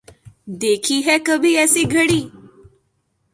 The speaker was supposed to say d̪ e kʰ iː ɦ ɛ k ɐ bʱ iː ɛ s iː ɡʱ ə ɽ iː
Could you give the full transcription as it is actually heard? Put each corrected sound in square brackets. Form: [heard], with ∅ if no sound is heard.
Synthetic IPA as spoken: d̪ e kʰ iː ɦ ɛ k [ə] bʱ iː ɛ s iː ɡʱ ə ɽ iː